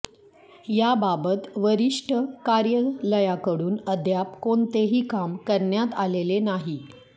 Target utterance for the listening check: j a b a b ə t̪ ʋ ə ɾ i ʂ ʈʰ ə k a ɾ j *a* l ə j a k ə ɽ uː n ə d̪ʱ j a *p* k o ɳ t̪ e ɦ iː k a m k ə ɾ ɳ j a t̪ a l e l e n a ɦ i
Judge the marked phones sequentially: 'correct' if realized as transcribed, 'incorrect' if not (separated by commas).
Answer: incorrect, correct